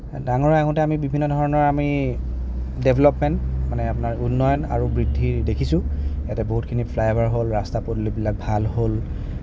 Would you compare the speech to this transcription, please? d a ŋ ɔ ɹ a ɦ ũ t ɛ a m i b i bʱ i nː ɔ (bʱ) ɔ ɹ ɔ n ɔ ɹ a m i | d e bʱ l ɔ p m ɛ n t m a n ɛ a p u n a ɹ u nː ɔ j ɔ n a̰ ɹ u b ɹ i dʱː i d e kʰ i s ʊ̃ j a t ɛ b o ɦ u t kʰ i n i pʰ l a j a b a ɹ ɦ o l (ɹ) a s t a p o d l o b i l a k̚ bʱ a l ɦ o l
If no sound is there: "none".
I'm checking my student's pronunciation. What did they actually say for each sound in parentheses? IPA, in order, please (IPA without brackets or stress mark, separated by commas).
dʱ, ɹ